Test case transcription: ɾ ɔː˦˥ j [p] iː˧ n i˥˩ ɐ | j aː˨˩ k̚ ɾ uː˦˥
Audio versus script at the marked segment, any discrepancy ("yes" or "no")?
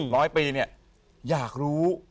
no